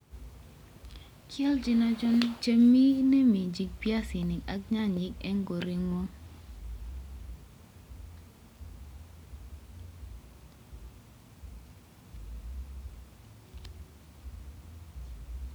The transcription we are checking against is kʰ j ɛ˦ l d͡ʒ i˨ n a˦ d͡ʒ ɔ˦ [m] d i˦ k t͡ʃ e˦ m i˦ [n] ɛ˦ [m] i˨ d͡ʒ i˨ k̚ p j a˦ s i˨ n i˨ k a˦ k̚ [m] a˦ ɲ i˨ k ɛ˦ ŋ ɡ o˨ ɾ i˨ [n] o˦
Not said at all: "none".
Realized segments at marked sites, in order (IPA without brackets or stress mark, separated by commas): n, n, m, ɲ, ŋ